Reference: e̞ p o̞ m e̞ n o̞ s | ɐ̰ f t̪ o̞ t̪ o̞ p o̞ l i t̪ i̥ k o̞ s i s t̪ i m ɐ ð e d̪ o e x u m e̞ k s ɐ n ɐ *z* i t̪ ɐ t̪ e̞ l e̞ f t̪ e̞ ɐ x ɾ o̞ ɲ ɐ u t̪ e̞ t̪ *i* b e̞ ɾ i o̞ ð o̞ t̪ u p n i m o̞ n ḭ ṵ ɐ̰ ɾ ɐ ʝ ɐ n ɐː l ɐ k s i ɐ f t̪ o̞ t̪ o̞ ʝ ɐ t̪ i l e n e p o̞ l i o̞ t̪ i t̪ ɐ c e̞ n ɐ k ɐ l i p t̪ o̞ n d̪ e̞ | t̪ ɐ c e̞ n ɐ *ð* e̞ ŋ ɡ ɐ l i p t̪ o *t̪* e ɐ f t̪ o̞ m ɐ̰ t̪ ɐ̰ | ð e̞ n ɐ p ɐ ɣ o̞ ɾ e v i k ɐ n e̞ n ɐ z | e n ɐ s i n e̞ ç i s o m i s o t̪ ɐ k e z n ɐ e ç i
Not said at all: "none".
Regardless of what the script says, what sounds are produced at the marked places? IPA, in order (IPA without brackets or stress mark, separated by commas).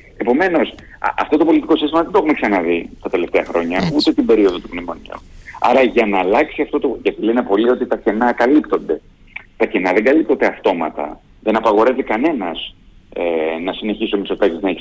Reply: ð, i, ð, d̪